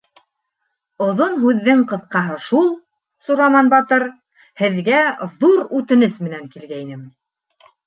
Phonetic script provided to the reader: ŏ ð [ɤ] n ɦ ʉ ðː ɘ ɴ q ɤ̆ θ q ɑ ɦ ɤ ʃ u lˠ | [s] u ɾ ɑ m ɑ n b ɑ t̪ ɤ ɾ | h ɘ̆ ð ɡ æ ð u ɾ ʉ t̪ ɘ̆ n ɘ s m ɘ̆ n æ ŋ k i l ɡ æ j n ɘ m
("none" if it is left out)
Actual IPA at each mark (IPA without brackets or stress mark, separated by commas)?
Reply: o, s